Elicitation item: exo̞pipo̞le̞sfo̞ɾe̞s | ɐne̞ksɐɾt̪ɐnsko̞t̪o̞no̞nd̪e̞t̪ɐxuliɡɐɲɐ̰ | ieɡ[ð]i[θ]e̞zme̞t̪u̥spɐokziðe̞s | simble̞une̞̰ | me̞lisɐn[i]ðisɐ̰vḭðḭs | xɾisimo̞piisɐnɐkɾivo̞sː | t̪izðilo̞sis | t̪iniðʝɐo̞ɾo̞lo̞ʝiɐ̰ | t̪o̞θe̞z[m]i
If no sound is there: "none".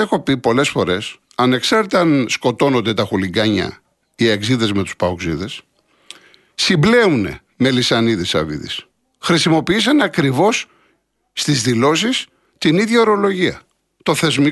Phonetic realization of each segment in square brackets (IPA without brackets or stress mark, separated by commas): z, ð, i, m